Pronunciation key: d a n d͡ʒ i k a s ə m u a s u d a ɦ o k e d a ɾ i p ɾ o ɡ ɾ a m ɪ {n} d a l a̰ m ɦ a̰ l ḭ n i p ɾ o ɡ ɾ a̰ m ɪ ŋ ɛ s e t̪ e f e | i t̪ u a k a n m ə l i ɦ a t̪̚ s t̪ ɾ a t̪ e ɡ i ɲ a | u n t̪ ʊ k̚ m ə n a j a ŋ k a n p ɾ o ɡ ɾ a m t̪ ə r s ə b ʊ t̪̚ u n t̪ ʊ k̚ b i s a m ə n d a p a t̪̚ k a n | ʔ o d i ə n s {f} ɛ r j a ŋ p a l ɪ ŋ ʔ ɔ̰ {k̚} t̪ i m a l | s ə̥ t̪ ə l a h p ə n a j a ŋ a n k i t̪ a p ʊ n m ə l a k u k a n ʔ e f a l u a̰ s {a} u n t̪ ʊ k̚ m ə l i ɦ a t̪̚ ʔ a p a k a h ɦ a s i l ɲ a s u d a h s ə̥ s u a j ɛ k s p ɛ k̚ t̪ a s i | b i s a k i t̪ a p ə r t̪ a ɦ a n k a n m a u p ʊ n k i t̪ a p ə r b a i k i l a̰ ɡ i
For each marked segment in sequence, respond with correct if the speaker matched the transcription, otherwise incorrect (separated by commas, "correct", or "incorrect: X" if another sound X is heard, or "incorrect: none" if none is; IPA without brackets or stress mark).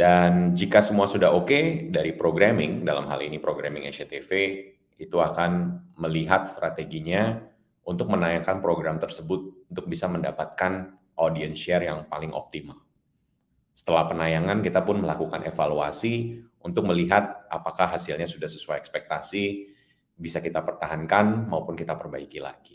incorrect: ŋ, incorrect: ʃ, incorrect: p̚, incorrect: i